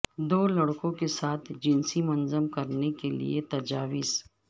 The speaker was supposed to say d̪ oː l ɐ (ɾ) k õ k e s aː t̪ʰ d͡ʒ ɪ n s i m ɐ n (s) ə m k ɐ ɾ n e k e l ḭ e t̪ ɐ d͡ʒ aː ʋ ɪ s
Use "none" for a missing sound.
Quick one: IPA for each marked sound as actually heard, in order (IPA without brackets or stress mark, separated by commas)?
ɽ, z